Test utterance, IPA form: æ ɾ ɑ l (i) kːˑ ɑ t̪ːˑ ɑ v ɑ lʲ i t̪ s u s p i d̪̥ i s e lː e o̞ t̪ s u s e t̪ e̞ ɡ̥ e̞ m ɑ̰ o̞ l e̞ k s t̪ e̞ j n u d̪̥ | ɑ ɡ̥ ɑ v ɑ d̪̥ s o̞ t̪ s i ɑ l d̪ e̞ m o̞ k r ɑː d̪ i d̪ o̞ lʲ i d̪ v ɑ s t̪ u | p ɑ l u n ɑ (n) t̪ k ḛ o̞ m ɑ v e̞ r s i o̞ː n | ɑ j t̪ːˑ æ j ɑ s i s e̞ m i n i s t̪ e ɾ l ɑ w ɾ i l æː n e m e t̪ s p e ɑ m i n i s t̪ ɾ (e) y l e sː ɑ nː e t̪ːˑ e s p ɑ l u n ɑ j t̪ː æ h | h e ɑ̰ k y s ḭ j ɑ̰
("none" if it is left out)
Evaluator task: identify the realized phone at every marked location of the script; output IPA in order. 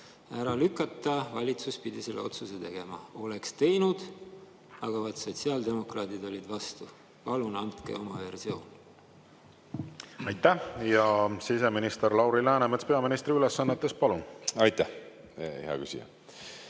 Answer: y, n, i

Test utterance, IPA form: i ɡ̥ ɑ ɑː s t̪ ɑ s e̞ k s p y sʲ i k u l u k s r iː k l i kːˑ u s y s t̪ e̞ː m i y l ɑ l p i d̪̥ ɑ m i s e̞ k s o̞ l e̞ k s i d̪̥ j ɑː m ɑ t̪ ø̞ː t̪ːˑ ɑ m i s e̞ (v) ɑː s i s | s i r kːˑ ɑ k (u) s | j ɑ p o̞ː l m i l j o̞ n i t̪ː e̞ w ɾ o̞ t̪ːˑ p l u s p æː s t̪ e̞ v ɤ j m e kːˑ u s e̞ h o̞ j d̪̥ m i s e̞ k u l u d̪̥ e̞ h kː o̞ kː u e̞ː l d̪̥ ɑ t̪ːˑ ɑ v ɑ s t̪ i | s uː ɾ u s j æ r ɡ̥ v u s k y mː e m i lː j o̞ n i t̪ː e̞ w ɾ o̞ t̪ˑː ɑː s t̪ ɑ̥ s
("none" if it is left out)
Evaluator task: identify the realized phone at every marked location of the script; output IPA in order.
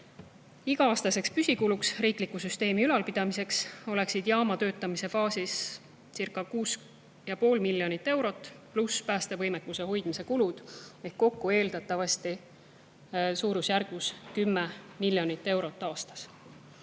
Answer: f, uː

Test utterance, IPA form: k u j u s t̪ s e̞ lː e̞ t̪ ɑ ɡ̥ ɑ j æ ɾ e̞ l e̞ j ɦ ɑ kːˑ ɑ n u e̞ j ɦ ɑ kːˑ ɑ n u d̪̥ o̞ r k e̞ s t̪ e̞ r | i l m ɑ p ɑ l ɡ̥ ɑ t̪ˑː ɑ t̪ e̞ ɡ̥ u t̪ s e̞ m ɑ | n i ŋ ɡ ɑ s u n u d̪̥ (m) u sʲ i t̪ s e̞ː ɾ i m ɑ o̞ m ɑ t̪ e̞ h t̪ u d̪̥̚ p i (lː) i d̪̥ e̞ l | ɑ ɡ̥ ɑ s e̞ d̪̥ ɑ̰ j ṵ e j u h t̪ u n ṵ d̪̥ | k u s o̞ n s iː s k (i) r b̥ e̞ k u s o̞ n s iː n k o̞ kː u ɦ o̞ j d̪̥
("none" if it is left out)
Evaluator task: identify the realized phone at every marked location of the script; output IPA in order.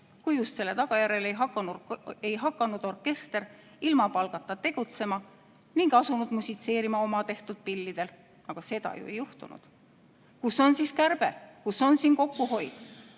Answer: m, lː, æ

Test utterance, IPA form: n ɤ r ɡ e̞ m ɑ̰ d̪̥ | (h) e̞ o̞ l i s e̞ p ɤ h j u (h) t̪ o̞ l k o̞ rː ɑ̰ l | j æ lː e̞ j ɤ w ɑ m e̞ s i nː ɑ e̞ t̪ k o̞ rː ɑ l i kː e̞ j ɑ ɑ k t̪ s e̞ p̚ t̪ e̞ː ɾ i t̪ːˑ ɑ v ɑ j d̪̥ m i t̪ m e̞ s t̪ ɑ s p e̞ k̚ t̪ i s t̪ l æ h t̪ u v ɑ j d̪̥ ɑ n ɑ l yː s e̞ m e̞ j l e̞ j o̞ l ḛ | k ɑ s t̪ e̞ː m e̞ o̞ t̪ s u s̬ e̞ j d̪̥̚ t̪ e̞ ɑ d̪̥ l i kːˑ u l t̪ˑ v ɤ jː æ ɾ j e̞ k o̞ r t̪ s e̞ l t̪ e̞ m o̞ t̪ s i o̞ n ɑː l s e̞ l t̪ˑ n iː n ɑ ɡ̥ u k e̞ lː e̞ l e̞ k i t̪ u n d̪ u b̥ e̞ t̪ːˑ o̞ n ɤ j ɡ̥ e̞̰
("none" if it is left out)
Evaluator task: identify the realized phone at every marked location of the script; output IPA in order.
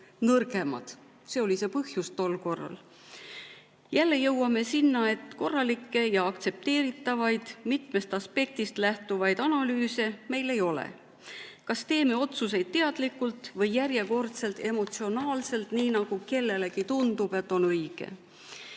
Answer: s, s

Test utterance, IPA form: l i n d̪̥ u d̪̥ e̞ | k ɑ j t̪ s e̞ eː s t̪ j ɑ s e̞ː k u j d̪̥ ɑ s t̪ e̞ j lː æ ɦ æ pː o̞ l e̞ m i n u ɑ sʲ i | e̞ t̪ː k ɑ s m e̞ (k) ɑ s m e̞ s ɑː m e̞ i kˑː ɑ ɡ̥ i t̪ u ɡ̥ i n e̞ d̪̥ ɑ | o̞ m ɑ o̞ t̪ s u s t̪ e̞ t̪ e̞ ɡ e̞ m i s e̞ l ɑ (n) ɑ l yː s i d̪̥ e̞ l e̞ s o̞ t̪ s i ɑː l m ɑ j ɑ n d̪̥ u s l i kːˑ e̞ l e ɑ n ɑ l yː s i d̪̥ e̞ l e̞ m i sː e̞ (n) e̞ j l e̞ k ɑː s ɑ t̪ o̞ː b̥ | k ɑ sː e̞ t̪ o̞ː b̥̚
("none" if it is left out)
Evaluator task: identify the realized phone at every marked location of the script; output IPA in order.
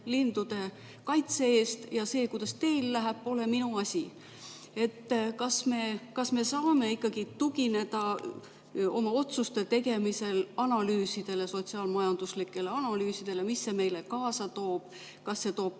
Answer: k, n, m

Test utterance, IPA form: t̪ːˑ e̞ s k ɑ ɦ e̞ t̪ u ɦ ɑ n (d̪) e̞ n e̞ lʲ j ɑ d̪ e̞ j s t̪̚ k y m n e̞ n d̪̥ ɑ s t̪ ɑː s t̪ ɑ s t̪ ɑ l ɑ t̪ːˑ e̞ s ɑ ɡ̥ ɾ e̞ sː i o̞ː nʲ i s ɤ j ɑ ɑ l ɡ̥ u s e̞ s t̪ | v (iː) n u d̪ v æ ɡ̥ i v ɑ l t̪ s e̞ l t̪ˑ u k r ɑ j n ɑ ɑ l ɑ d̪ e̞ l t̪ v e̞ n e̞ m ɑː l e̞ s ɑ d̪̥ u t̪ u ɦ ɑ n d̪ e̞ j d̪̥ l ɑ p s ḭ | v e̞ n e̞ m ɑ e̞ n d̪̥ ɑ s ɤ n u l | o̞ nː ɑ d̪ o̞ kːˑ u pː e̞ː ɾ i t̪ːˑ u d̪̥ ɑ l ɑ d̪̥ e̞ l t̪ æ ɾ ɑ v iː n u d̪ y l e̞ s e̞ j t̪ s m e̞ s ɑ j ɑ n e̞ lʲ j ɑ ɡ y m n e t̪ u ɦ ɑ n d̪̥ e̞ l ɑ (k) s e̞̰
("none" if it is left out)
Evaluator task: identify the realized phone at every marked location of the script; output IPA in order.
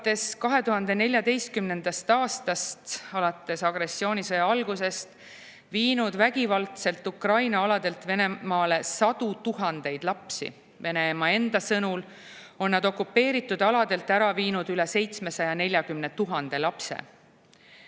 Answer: d̪, iː, p

